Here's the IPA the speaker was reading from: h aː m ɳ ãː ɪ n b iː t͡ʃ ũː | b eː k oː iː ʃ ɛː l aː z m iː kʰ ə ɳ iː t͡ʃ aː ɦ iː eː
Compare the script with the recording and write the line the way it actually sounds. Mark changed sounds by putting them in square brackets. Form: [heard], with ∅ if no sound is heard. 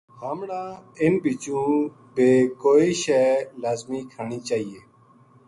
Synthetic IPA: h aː m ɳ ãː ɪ n b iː t͡ʃ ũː | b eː k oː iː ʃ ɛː l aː z m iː kʰ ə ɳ iː t͡ʃ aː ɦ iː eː